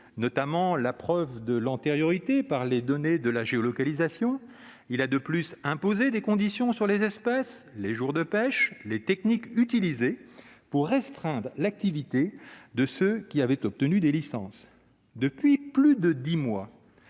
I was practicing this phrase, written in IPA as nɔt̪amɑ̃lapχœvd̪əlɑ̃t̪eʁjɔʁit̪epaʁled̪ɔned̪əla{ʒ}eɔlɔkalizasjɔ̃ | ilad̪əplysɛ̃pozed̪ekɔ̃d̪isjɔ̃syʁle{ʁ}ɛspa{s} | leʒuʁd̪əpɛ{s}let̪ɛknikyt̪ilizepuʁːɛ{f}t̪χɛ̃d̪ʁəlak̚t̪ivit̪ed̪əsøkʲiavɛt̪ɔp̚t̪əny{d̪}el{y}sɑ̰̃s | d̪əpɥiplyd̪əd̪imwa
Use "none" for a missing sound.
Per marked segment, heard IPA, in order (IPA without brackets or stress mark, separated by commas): ʒ, z, s, ʃ, s, d̪, i